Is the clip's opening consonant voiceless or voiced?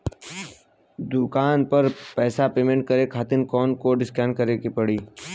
voiced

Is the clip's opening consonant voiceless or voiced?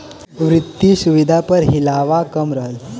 voiced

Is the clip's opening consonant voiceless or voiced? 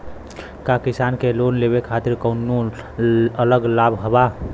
voiceless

